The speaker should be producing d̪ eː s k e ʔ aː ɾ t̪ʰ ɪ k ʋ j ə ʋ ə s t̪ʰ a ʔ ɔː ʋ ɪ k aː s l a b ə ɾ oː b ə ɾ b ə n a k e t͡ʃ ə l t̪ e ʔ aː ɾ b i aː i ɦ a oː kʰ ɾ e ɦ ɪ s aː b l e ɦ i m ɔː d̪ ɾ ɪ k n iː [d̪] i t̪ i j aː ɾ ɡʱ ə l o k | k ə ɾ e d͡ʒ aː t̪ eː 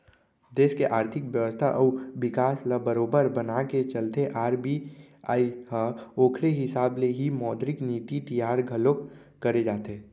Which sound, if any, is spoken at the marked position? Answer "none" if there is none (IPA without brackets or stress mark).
t̪